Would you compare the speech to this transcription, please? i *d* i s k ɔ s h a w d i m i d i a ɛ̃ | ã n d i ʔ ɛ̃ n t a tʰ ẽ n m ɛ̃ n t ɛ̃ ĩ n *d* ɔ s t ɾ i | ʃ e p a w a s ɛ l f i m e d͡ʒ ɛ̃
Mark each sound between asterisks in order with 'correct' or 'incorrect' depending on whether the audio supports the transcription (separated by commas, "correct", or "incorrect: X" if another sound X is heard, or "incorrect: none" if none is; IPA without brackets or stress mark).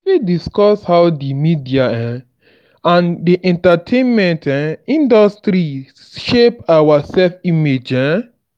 correct, correct